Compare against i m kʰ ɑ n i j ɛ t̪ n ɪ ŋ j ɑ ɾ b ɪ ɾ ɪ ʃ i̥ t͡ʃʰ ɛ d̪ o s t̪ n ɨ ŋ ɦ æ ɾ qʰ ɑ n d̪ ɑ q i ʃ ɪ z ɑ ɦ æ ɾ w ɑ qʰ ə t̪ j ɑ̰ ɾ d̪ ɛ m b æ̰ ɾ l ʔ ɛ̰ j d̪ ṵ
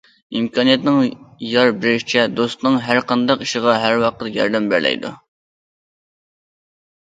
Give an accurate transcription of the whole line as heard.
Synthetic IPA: i m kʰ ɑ n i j ɛ t̪ n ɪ ŋ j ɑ ɾ b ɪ ɾ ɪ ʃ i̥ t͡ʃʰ ɛ d̪ o s t̪ n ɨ ŋ ɦ æ ɾ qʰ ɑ n d̪ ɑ q i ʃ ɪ ʁ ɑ ɦ æ ɾ w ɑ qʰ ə t̪ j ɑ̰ ɾ d̪ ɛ m b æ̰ ɾ l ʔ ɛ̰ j d̪ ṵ